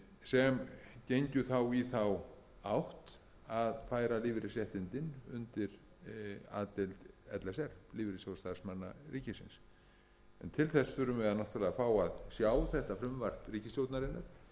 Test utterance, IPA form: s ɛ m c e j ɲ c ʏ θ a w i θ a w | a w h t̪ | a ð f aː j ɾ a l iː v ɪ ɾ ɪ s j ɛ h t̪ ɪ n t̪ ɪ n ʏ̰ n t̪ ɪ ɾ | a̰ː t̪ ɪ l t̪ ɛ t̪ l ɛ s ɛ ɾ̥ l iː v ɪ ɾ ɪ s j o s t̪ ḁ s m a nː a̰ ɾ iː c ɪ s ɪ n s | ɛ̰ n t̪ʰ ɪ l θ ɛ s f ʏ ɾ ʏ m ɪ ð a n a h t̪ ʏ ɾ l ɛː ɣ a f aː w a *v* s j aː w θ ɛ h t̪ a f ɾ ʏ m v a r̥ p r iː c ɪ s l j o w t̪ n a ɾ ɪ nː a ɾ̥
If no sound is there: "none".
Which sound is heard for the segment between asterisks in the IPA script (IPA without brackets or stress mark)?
ð